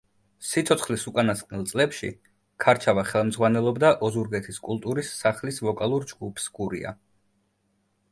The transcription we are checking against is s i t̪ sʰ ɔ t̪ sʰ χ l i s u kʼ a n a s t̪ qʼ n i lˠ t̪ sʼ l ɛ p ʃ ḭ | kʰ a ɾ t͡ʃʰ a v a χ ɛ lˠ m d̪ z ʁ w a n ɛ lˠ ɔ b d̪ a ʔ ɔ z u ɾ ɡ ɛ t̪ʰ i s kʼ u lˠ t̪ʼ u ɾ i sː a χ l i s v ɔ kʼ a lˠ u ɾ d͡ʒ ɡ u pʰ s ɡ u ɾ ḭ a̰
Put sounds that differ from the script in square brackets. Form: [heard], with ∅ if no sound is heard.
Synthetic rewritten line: s i t̪ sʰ ɔ t̪ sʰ χ l i s u kʼ a n a s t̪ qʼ n i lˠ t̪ sʼ l ɛ p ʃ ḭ | kʰ a ɾ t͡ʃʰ a v a χ ɛ lˠ m d̪ z ʁ w a n ɛ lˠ ɔ b d̪ a ʔ ɔ z u ɾ ɡ ɛ t̪ʰ i s kʼ u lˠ t̪ʼ u ɾ i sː a χ l i s v ɔ kʼ a lˠ u ɾ d͡ʒ ɡ u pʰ s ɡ u ɾ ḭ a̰